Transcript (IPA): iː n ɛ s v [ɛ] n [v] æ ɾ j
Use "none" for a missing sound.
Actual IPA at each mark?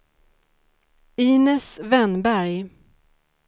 ɛ, b

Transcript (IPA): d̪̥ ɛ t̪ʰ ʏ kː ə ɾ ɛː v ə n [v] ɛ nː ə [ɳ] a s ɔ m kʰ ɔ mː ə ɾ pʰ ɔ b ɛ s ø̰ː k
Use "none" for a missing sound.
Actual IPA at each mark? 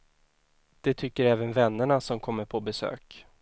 v, ɳ

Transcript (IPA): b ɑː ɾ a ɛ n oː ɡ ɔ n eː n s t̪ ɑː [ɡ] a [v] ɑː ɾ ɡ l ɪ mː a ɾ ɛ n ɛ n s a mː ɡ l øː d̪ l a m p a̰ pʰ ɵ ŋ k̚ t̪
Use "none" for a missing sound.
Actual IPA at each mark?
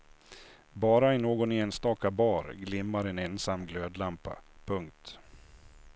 k, b

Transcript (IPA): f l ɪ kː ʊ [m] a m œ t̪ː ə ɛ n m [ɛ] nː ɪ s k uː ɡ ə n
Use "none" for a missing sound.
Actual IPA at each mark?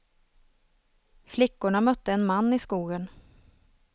ɳ, a

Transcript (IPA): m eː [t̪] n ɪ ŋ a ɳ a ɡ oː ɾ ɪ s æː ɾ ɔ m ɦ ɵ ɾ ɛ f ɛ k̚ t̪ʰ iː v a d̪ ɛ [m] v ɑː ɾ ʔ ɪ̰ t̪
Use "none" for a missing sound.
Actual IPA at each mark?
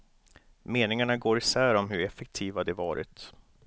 none, none

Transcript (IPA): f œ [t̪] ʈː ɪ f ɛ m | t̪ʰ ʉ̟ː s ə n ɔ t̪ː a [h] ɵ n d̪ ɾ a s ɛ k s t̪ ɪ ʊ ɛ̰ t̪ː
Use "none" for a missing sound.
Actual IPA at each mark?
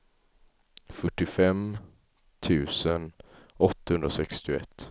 none, h

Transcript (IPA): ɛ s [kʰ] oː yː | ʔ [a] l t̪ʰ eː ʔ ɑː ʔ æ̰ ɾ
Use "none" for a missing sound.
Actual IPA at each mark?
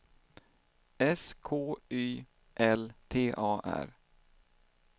kʰ, ɛ

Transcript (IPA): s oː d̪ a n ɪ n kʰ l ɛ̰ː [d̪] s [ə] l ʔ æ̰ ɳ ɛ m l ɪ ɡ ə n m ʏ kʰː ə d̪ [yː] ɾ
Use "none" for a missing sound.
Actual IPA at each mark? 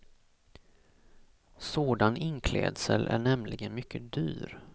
d̪, ə, yː

